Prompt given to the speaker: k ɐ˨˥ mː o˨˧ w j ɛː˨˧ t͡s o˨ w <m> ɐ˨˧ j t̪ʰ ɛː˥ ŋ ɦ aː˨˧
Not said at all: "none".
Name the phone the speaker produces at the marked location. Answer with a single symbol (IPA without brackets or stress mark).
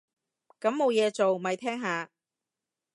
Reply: m